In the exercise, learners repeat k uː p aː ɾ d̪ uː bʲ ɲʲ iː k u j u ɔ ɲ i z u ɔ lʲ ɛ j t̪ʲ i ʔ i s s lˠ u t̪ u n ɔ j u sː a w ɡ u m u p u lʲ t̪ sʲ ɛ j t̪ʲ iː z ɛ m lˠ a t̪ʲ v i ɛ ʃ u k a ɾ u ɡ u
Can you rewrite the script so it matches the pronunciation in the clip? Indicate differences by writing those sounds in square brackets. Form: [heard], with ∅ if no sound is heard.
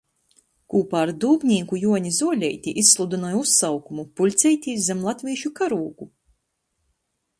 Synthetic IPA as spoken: k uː p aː ɾ d̪ uː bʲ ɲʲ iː k u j u ɔ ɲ i z u ɔ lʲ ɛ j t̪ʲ i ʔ i s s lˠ u [d̪] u n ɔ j u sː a w [k] u m u p u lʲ t̪ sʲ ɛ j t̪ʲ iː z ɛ m lˠ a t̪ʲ v i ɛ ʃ u k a ɾ [uː] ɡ u